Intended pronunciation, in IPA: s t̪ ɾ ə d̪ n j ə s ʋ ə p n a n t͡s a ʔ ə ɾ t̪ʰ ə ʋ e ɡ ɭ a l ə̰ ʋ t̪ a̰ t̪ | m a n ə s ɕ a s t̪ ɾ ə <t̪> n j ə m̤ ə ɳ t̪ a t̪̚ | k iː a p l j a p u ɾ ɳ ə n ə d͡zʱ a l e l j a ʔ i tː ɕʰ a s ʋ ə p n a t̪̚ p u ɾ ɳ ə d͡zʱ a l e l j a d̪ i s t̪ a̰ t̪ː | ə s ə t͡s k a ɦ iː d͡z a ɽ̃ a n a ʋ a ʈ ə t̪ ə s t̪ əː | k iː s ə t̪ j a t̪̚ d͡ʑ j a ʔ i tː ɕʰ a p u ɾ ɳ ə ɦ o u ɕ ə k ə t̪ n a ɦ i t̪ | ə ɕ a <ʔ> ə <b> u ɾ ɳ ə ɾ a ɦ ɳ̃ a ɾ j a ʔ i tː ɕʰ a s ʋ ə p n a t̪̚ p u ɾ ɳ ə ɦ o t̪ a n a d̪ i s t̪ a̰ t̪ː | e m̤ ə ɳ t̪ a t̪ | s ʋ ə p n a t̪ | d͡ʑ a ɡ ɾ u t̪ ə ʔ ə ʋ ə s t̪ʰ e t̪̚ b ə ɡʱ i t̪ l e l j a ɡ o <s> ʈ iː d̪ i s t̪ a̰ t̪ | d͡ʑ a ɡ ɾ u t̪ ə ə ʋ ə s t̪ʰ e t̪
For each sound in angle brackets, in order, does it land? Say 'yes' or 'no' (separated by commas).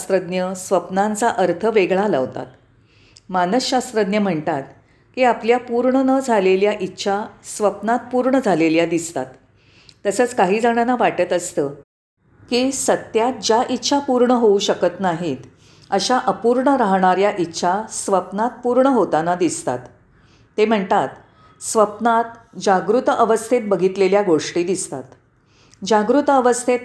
no, yes, no, no